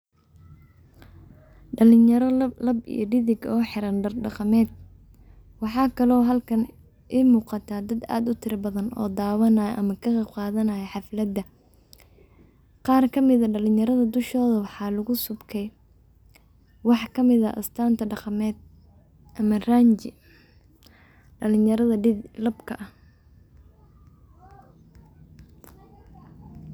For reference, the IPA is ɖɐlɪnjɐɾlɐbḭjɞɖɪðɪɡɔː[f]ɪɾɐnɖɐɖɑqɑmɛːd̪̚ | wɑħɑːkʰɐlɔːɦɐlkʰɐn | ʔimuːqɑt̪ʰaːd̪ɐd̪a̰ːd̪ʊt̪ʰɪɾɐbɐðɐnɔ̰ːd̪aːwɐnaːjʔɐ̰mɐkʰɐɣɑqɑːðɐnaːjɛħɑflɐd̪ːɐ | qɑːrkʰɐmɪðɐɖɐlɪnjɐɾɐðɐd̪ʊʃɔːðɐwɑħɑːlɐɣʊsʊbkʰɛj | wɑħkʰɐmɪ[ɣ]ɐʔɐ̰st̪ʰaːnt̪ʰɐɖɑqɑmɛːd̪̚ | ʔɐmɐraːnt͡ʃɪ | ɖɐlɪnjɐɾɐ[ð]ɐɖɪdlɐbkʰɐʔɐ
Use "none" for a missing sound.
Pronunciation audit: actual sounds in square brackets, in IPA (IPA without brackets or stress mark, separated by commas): ħ, ð, ð